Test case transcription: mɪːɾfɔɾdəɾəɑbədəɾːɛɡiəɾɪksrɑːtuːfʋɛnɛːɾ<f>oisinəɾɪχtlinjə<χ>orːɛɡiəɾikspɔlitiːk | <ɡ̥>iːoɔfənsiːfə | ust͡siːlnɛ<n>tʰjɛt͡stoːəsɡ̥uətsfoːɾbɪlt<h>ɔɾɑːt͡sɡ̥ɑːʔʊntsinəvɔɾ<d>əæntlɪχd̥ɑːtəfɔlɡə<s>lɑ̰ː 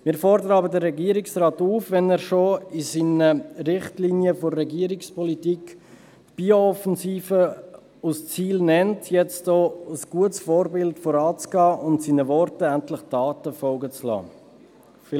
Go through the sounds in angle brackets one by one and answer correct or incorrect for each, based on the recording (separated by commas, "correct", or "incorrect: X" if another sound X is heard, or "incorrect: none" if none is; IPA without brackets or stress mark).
incorrect: ʃ, incorrect: f, incorrect: b̥, correct, incorrect: f, incorrect: t, incorrect: t͡s